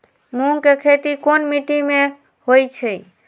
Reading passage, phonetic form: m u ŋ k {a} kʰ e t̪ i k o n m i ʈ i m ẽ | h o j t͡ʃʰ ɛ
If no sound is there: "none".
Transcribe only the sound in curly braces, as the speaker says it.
e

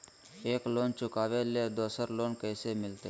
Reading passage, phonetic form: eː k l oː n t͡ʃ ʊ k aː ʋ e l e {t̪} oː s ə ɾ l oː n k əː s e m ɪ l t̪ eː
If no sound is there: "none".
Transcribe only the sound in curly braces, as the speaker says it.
d̪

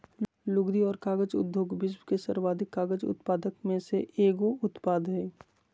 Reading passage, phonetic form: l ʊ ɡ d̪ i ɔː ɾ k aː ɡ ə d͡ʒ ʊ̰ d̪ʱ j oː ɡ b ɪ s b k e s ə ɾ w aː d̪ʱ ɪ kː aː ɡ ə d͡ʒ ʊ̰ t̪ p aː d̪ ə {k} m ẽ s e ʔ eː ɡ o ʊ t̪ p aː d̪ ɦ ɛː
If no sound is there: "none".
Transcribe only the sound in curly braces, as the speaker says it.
k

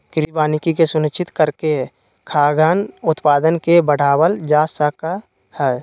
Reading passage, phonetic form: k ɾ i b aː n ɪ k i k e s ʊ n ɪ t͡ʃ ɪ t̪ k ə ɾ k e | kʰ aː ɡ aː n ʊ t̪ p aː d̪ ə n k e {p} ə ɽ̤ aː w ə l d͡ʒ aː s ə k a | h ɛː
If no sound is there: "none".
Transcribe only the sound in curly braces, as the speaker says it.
b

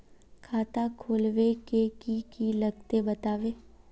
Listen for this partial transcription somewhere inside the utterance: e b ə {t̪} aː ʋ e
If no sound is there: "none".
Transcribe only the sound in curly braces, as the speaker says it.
t̪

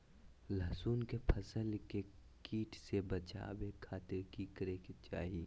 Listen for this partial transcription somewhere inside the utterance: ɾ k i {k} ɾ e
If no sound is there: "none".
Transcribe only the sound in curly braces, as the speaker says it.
k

